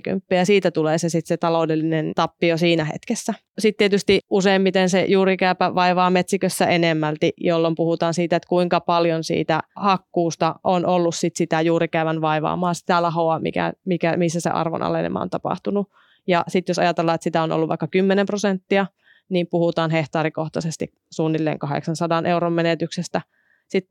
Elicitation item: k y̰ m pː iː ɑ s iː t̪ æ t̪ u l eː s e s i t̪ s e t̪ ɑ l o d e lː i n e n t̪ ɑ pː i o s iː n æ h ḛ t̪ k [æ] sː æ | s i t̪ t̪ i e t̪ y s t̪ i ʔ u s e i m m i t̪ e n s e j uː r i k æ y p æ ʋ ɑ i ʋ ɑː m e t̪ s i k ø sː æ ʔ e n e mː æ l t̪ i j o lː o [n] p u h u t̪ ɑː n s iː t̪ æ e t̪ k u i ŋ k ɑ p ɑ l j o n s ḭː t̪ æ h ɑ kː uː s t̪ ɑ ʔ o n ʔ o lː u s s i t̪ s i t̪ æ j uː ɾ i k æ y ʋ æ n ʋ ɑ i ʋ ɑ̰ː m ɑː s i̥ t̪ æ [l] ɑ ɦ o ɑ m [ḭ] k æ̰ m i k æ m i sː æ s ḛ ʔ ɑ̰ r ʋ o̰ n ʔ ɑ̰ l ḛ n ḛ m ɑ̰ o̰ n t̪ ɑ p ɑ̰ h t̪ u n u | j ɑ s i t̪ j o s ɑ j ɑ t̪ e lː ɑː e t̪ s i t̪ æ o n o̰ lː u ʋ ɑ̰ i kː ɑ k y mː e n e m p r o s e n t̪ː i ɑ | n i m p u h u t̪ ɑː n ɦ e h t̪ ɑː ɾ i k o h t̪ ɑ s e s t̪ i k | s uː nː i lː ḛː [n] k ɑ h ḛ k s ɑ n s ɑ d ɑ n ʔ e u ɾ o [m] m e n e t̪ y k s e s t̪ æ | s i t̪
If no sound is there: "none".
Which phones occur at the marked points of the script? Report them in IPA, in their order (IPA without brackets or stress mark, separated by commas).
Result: e, m, l, ḭ, ŋ, m